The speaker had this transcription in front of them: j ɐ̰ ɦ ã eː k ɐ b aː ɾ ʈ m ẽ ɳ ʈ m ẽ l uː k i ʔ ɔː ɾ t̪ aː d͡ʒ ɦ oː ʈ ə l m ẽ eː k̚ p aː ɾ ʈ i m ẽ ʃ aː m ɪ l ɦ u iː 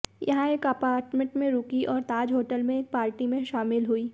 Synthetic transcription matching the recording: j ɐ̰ ɦ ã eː k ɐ p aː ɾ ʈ m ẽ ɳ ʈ m ẽ ɾ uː k i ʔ ɔː ɾ t̪ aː d͡ʒ ɦ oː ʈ ə l m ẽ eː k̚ p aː ɾ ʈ i m ẽ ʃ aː m ɪ l ɦ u iː